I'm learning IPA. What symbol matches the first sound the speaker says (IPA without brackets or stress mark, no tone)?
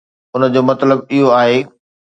ʊ